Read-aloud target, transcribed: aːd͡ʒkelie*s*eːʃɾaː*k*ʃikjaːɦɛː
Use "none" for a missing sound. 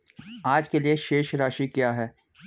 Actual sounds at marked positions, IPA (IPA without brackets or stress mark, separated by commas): ʃ, none